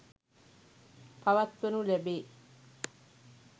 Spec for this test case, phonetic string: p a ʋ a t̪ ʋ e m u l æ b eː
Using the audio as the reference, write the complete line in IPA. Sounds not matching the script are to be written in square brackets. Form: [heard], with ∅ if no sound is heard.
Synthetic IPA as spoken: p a ʋ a t̪ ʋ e [n] u l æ b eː